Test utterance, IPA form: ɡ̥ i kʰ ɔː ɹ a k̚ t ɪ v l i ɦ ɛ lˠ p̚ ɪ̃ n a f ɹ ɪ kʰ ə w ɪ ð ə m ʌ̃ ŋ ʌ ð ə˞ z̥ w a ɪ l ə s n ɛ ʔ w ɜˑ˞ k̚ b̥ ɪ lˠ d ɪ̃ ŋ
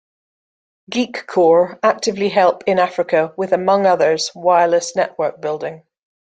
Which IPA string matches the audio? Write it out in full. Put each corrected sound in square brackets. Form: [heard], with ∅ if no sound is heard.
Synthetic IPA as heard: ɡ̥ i kʰ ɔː ɹ a k̚ t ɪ v l i ɦ ɛ lˠ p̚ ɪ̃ n a f ɹ ɪ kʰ ə w ɪ ð ə m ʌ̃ ŋ ʌ ð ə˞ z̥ w a ɪ l ə s n ɛ ʔ w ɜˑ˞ k̚ b̥ ɪ lˠ d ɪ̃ ŋ